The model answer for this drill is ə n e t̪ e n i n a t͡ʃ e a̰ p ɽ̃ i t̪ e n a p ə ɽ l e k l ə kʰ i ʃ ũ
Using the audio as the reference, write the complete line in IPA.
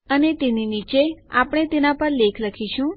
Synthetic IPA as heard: ə n e t̪ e n i n i t͡ʃ e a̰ p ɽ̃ e t̪ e n a p ə ɾ l e kʰ l ə kʰ i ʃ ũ